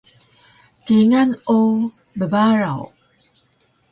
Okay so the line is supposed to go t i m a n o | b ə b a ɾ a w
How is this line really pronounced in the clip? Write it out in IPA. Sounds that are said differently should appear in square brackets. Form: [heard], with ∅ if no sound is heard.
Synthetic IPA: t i [ŋ] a n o | b ə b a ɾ a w